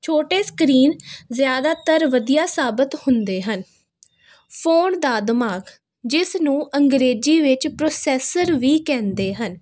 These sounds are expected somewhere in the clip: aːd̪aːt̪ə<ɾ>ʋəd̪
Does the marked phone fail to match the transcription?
no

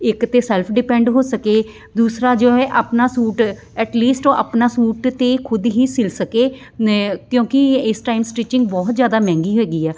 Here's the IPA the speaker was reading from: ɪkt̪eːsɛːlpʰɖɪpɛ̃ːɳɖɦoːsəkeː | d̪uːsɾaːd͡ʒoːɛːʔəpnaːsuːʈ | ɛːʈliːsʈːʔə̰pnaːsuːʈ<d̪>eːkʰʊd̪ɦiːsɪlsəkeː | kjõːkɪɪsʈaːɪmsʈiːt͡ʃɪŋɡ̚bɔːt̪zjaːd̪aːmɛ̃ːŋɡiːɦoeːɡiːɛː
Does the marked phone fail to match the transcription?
yes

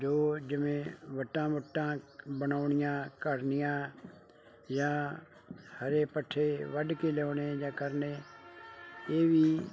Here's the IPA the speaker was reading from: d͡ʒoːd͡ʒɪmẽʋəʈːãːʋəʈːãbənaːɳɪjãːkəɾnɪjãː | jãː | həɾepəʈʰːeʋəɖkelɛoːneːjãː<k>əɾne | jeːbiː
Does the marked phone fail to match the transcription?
no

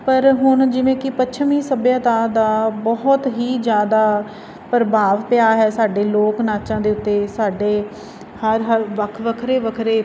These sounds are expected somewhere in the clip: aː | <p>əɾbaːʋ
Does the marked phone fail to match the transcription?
no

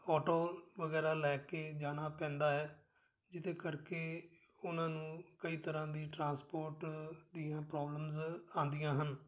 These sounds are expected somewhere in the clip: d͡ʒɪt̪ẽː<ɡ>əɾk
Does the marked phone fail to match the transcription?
yes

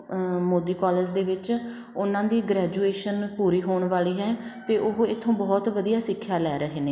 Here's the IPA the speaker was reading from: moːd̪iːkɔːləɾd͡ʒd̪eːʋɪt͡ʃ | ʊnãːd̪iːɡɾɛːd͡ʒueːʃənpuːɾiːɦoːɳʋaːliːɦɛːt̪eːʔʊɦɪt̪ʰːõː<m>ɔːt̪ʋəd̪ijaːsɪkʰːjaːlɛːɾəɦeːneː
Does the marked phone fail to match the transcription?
yes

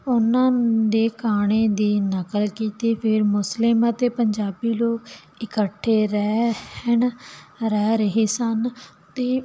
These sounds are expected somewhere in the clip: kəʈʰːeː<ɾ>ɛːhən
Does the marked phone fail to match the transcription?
no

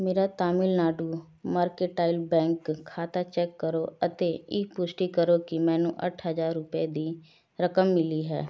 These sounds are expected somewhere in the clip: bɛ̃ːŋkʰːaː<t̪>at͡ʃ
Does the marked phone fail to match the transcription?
no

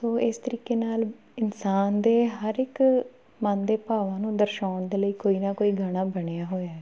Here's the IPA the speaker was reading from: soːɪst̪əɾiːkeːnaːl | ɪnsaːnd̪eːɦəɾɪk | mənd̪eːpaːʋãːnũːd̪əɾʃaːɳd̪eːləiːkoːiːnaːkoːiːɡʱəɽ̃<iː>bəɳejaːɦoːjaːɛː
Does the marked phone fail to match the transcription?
yes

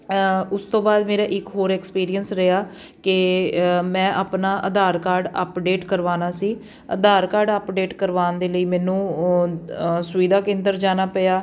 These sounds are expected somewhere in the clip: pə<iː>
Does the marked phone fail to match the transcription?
yes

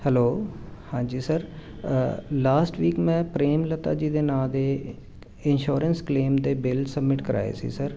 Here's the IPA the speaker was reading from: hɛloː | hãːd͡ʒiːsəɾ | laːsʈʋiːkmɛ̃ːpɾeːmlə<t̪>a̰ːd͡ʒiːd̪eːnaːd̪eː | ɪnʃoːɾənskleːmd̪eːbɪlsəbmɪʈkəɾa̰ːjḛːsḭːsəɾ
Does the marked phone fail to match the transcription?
no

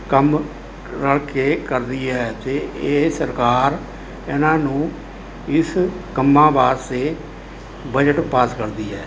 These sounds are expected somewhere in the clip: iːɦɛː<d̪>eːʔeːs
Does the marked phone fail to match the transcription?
yes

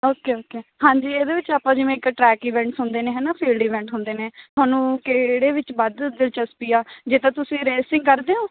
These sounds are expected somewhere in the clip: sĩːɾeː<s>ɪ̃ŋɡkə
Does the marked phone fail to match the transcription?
no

